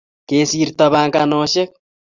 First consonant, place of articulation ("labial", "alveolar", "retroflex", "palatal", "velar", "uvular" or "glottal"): velar